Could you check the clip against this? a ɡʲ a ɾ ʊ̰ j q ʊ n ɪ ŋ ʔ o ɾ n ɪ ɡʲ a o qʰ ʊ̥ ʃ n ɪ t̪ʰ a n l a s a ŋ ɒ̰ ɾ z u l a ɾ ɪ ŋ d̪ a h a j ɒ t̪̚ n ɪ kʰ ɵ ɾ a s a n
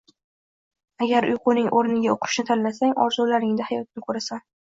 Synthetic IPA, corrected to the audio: a ɡʲ a ɾ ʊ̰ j q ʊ n ɪ ŋ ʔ o ɾ n ɪ ɡʲ a o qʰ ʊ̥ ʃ n ɪ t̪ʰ a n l a s a ŋ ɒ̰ ɾ z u l a ɾ ɪ ŋ d̪ a h a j ɒ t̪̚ n ɪ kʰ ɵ ɾ a s a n